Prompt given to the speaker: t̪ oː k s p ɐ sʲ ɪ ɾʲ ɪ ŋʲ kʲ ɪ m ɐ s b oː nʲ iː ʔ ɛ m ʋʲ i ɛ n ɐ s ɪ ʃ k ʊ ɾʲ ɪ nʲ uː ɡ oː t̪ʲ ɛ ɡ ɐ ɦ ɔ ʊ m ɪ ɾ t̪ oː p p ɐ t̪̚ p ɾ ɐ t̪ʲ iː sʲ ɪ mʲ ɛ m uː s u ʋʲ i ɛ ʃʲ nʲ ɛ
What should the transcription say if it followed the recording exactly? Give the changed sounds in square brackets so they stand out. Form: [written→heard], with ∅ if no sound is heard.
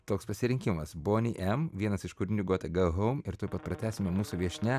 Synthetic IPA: t̪ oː k s p ɐ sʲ ɪ ɾʲ ɪ ŋʲ kʲ ɪ m ɐ s b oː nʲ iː ʔ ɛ m ʋʲ i ɛ n ɐ s ɪ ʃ k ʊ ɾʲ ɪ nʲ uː ɡ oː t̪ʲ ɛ ɡ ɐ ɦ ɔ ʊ m ɪ ɾ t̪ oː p p ɐ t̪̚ p ɾ ɐ t̪ʲ [iː→æː] sʲ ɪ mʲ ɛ m uː s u ʋʲ i ɛ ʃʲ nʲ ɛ

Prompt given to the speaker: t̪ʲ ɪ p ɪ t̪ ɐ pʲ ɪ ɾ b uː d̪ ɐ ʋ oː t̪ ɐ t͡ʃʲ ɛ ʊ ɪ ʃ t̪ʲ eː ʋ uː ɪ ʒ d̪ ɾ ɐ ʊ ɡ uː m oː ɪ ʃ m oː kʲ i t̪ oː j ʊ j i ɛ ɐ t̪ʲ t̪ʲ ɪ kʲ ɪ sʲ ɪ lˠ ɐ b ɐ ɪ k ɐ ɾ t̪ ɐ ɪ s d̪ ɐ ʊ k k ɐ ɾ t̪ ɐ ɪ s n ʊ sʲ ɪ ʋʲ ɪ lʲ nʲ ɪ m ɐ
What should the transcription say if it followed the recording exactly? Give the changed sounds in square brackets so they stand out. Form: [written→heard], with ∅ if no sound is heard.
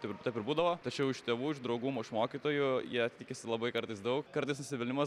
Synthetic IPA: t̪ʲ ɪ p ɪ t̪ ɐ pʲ ɪ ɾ b uː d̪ ɐ ʋ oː t̪ ɐ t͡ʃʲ ɛ ʊ ɪ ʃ t̪ʲ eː ʋ uː ɪ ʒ d̪ ɾ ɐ ʊ ɡ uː m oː ɪ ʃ m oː kʲ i t̪ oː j ʊ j i ɛ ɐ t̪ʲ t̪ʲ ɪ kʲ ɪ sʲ ɪ lˠ ɐ b ɐ ɪ k ɐ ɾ t̪ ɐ ɪ s d̪ ɐ ʊ k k ɐ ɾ t̪ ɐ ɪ s n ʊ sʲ ɪ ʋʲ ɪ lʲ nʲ ɪ m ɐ

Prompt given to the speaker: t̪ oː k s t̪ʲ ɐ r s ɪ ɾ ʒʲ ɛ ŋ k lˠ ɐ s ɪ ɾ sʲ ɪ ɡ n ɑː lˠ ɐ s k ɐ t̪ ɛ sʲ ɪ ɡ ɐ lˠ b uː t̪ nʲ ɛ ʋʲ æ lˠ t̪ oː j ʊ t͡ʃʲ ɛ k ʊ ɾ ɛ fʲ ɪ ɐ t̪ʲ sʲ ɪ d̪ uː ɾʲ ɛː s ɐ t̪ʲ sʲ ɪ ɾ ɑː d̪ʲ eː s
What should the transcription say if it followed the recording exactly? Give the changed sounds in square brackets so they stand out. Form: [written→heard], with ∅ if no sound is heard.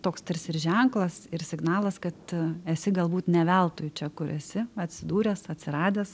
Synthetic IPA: t̪ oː k s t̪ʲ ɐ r s ɪ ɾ ʒʲ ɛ ŋ k lˠ ɐ s ɪ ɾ sʲ ɪ ɡ n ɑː lˠ ɐ s k ɐ t̪ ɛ sʲ ɪ ɡ ɐ lˠ b uː t̪ nʲ ɛ ʋʲ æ lˠ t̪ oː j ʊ t͡ʃʲ ɛ k ʊ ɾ ɛ [fʲ→sʲ] ɪ ɐ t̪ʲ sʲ ɪ d̪ uː ɾʲ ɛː s ɐ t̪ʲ sʲ ɪ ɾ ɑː d̪ʲ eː s

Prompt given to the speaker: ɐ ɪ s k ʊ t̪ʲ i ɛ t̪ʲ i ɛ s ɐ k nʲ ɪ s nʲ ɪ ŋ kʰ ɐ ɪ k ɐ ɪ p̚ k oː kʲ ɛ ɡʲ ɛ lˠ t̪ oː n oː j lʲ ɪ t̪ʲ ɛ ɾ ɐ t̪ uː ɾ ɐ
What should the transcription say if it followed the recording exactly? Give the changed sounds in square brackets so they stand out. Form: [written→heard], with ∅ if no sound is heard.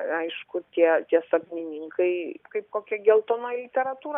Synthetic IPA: ɐ ɪ [s→ʃ] k ʊ t̪ʲ i ɛ t̪ʲ i ɛ s ɐ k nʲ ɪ [s→∅] nʲ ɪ ŋ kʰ ɐ ɪ k ɐ ɪ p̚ k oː kʲ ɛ ɡʲ ɛ lˠ t̪ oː n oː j lʲ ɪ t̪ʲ ɛ ɾ ɐ t̪ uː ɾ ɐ

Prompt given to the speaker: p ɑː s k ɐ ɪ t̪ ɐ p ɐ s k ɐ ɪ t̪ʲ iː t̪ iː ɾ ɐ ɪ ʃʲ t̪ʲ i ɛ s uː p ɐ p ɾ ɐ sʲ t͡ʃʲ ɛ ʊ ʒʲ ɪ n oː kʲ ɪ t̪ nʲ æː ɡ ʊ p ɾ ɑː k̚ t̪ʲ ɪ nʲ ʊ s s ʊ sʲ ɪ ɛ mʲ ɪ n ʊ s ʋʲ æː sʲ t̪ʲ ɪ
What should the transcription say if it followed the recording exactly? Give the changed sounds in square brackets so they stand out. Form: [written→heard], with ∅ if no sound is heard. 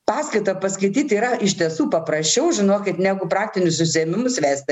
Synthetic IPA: p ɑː s k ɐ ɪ t̪ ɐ p ɐ s k ɐ ɪ t̪ʲ iː t̪ iː ɾ ɐ ɪ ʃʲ t̪ʲ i ɛ s uː p ɐ p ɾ ɐ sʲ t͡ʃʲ ɛ ʊ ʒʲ ɪ n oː kʲ ɪ t̪ nʲ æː ɡ ʊ p ɾ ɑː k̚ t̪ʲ ɪ nʲ ʊ s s ʊ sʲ ɪ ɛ mʲ ɪ [n→m] ʊ s ʋʲ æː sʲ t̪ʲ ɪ

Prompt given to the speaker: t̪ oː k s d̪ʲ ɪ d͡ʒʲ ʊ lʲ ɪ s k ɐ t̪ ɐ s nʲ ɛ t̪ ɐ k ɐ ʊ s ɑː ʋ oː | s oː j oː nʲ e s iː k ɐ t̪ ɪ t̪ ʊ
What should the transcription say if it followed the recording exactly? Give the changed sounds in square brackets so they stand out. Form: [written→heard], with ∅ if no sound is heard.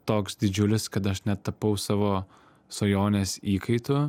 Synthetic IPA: t̪ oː k s d̪ʲ ɪ d͡ʒʲ ʊ lʲ ɪ s k ɐ t̪ ɐ [s→ʃ] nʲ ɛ t̪ ɐ [k→p] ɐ ʊ s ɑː ʋ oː | s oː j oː nʲ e s iː k ɐ [t̪→∅] ɪ t̪ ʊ

